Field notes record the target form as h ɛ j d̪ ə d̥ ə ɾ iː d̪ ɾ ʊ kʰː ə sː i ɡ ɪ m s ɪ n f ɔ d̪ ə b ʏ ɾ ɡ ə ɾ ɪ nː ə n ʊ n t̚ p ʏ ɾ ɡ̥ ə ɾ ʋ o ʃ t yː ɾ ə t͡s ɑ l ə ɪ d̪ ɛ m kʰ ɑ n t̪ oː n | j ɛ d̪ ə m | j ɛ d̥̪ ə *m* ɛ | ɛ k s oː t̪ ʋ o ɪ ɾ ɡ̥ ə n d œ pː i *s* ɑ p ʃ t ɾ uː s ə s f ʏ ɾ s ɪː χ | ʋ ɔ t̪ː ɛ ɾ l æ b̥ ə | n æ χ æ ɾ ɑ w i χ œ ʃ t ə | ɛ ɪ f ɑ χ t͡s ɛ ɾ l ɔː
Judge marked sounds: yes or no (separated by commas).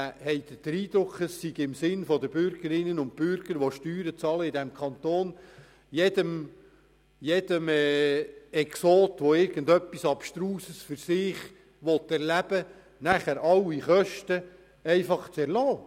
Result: yes, yes